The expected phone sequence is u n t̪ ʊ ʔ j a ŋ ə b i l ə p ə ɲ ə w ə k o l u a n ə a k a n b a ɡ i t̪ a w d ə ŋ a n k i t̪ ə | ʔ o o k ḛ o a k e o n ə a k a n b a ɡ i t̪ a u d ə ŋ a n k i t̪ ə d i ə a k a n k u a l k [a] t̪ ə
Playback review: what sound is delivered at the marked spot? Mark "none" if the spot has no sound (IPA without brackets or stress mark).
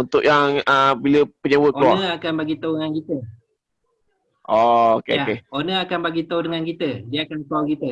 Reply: i